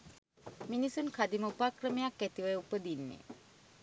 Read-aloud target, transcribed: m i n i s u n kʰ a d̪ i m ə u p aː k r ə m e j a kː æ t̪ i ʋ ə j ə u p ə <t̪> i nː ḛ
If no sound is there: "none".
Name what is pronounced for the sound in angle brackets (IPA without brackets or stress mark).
d̪